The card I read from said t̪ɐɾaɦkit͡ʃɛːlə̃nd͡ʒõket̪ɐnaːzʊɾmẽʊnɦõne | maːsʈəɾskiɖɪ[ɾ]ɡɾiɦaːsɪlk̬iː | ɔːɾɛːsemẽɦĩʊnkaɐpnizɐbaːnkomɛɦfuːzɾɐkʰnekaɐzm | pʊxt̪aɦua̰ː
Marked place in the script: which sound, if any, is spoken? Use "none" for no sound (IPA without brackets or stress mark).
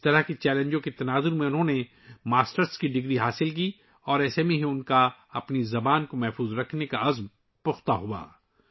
none